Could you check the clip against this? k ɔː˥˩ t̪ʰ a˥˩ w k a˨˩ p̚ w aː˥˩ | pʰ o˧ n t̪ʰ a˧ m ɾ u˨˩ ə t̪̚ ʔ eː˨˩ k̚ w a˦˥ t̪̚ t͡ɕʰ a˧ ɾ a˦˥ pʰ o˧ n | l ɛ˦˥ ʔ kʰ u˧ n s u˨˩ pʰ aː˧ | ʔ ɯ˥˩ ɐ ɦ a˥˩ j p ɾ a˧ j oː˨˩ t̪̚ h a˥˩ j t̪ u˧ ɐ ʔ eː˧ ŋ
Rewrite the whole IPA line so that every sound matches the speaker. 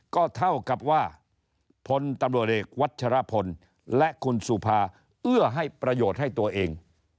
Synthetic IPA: k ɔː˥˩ t̪ʰ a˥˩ w k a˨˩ p̚ w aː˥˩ | pʰ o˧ n t̪ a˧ m ɾ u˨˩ ə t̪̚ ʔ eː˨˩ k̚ w a˦˥ t̪̚ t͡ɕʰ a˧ ɾ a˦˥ pʰ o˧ n | l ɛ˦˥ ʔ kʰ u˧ n s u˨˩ pʰ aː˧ | ʔ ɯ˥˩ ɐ ɦ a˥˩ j p ɾ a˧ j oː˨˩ t̪̚ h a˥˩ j t̪ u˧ ɐ ʔ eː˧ ŋ